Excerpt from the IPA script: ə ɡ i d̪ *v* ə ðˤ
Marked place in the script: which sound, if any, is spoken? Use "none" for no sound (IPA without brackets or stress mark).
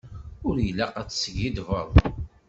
v